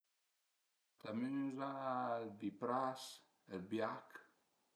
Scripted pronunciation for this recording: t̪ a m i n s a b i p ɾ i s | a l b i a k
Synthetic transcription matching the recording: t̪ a m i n z a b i p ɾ a s | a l b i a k

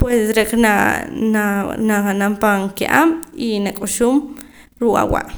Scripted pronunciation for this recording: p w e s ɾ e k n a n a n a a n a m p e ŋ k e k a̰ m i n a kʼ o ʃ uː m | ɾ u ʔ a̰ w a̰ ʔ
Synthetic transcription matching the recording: p w e s ɾ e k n a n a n a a n a m p a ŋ k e ʔ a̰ m i n a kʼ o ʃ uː m | ɾ u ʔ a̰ w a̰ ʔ

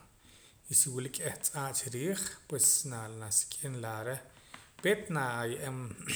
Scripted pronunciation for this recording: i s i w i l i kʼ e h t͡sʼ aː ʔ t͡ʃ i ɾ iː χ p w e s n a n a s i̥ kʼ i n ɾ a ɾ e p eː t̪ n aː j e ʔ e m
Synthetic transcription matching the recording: i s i w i l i kʼ e h t͡sʼ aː ʔ t͡ʃ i ɾ iː χ p w e s n a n a s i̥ kʼ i n l a ɾ e p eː t̪ n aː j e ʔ e m

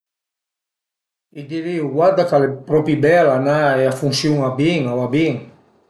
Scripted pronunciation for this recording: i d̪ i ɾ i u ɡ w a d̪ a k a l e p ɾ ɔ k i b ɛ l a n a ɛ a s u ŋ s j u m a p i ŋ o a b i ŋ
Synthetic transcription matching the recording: i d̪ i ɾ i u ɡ w a d̪ a k a l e p ɾ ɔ p i b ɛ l a n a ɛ a f u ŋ s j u ŋ a b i ŋ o a b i ŋ

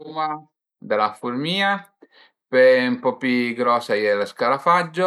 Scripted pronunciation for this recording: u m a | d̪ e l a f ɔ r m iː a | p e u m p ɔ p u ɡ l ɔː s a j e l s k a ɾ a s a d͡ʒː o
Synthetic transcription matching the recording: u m a | d̪ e l a f u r m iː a | p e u m p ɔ p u ɡ ɾ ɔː s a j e l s k a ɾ a f a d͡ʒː o

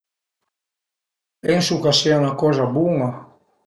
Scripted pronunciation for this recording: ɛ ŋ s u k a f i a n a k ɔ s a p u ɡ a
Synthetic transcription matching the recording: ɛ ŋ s u k a s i a n a k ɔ z a b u ŋ a

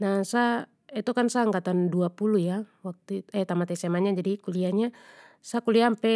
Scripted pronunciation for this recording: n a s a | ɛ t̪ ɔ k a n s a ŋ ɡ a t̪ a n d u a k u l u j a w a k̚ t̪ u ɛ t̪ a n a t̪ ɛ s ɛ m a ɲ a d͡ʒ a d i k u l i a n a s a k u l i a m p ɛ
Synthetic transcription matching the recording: n a s a | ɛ t̪ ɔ k a n s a ŋ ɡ a t̪ a n d u a p u l u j a w a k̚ t̪ u ɛ t̪ a m a t̪ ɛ s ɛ m a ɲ a d͡ʒ a d i k u l i a ɲ a s a k u l i a m p ɛ

